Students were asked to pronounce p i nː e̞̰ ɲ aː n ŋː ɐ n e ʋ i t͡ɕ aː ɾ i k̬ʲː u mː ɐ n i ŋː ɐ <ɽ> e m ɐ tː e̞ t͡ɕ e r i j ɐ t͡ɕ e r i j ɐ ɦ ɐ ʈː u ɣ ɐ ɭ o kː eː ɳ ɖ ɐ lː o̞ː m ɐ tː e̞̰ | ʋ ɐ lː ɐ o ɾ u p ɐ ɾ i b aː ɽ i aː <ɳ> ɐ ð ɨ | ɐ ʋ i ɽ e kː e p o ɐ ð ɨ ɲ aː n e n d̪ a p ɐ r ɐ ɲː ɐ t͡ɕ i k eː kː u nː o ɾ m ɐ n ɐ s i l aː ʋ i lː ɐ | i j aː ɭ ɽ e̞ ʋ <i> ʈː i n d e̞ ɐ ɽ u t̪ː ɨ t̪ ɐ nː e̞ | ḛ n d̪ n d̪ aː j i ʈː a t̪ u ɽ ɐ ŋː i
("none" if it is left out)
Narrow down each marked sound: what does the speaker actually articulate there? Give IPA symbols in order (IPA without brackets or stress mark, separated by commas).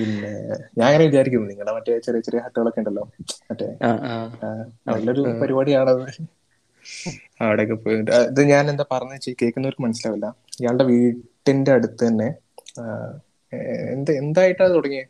ɭ, ɳ, iː